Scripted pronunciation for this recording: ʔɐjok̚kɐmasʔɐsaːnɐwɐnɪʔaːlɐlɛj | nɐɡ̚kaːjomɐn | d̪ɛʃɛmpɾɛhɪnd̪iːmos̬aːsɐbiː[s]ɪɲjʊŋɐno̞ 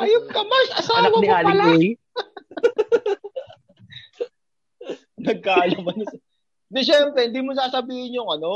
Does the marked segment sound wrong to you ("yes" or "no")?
yes